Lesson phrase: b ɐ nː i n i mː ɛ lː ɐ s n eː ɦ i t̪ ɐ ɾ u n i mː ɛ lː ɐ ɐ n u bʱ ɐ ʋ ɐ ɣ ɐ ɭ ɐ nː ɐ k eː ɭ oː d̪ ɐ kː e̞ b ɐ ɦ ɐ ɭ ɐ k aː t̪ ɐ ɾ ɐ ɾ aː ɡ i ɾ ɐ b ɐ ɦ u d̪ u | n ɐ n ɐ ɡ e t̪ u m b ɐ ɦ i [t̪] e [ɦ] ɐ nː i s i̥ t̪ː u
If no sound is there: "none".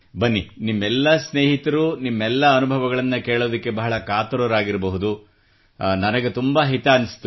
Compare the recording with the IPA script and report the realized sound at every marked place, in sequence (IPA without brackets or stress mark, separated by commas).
t̪, none